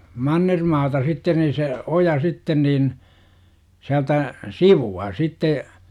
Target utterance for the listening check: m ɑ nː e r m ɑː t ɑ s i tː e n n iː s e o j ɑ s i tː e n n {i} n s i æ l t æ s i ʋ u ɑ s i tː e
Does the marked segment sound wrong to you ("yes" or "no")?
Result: yes